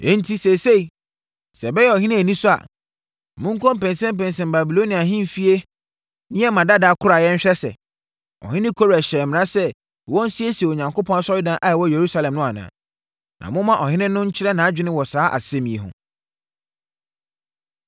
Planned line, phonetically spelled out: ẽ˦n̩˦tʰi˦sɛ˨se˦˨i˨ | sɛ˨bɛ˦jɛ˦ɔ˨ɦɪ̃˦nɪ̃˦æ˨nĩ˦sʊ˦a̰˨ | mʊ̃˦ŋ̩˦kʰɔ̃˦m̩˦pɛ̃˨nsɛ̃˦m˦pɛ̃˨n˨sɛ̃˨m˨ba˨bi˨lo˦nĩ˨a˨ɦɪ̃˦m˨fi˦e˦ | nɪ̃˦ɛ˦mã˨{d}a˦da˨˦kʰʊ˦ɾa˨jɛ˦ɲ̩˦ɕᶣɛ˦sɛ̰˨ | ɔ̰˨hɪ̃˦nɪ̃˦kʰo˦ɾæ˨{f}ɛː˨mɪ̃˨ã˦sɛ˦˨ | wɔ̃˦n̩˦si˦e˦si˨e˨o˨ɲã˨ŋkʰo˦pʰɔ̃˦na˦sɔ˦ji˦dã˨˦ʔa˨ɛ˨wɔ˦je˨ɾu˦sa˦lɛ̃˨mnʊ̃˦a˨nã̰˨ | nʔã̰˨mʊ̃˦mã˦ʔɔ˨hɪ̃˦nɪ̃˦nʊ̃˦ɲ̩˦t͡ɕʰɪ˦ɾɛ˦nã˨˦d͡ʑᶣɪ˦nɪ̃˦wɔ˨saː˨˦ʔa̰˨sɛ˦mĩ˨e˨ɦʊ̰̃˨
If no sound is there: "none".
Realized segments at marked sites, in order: d, ɕ

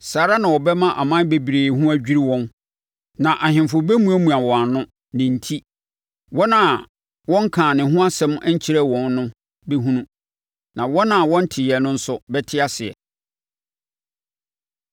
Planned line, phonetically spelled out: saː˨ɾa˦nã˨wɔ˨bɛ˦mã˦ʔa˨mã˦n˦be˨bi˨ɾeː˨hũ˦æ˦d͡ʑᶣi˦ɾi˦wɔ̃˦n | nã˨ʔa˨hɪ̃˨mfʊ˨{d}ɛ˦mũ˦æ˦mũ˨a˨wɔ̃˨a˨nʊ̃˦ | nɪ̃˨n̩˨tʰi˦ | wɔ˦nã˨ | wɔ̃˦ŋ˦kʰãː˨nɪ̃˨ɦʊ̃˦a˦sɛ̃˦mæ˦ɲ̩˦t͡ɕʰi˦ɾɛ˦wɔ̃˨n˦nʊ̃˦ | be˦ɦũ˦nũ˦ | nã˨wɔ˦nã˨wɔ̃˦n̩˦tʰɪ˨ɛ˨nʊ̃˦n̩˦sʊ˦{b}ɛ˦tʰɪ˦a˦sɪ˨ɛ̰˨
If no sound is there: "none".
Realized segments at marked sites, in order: b, b

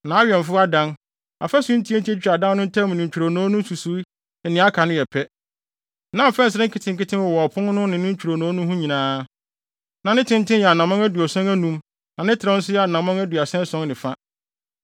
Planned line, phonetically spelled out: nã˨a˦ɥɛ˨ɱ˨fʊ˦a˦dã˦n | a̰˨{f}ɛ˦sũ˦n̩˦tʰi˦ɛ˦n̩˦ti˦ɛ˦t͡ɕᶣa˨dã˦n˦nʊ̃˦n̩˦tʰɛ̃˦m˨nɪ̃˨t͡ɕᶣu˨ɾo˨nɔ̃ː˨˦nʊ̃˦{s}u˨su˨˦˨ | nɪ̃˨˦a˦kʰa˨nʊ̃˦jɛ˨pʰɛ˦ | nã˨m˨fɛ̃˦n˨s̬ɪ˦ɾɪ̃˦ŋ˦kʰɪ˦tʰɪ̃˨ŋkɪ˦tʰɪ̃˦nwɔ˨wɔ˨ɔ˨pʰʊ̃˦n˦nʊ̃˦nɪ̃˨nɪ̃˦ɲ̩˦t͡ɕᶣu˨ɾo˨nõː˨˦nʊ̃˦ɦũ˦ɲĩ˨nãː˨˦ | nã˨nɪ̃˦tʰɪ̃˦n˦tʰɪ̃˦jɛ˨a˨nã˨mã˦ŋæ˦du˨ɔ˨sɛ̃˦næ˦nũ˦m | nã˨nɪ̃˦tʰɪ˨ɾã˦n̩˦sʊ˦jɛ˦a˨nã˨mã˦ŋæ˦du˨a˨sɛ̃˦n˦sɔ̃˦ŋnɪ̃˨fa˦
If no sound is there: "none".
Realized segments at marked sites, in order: f, s

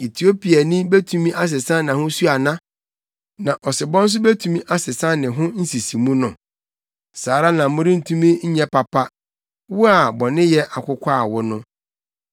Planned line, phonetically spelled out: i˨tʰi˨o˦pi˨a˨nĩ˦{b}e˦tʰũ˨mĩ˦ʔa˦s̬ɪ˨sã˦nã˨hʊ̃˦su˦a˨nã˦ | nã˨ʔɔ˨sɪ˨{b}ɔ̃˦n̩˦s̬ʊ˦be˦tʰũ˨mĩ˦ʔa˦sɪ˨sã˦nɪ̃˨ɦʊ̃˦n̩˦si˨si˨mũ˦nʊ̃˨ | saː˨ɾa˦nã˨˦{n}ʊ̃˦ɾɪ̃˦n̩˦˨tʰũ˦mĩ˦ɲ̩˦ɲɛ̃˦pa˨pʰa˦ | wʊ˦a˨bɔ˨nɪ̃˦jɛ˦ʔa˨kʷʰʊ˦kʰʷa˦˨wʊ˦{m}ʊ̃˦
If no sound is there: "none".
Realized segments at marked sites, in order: b, b, m, n

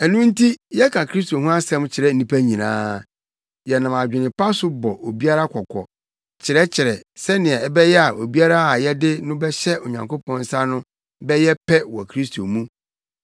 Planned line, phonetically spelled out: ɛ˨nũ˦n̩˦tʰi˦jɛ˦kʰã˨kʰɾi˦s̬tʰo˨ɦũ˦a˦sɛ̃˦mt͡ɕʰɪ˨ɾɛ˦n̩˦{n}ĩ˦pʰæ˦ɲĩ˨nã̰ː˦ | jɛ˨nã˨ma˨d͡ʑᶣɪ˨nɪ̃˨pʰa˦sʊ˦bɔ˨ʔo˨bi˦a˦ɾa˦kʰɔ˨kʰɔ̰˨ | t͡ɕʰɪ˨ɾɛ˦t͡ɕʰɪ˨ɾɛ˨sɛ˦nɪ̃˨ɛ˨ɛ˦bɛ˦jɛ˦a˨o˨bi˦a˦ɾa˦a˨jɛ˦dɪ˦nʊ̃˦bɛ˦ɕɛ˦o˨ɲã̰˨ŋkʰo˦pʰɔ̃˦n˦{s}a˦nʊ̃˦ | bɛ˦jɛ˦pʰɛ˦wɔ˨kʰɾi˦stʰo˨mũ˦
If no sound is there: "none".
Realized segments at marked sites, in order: n, s

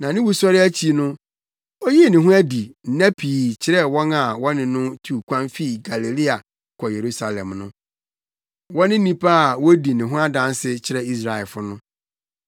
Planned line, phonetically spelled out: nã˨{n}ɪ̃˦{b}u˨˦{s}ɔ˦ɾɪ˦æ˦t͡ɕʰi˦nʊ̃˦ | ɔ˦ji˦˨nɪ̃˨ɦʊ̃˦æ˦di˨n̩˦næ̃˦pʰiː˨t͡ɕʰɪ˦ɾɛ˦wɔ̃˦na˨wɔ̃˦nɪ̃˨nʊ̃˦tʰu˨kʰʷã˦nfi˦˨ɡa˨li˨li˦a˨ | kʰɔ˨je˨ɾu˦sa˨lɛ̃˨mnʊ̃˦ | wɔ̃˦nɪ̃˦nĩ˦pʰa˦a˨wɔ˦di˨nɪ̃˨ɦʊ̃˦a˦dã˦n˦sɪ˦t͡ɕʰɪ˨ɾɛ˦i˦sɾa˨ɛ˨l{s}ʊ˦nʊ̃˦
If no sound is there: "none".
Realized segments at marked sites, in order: n, w, s, f

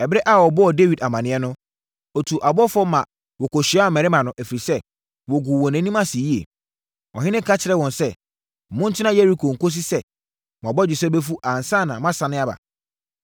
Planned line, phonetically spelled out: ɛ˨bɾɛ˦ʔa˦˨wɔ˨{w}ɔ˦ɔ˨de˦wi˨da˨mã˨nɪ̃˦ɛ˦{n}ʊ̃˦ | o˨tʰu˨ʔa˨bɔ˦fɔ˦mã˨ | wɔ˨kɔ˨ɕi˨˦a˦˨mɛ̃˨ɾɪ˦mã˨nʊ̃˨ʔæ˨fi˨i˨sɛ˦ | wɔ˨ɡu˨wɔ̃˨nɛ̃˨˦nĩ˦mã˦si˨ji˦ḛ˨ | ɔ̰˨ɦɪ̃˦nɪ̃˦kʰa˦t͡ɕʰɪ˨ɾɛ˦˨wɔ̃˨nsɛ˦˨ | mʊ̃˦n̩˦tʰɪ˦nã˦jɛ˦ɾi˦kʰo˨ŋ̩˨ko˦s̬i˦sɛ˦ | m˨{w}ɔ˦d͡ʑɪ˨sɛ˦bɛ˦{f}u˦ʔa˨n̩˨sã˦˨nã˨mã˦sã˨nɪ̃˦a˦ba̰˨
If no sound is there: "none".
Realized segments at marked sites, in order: b, n, b, f

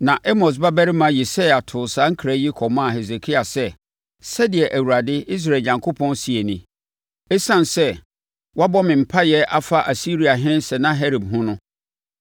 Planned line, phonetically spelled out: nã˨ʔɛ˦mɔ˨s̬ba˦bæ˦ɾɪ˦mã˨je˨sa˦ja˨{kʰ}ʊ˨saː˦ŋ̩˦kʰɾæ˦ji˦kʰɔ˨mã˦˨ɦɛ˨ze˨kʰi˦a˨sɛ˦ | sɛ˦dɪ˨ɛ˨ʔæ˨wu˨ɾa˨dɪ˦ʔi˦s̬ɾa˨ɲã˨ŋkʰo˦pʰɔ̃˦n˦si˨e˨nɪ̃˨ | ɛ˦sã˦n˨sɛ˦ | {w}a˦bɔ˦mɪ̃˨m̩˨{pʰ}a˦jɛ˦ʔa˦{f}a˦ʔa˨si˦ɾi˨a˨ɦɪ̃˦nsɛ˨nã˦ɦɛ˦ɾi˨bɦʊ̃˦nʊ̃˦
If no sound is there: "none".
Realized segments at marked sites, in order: tʰ, w, pʰ, f

